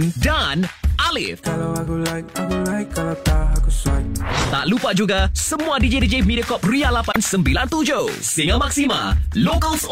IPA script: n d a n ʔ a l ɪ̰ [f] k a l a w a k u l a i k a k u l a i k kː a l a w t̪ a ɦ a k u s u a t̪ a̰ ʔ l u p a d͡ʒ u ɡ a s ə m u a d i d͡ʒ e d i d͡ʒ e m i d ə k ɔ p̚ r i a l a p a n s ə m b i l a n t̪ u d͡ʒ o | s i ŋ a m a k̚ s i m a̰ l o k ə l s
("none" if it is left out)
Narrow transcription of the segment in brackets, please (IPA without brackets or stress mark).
f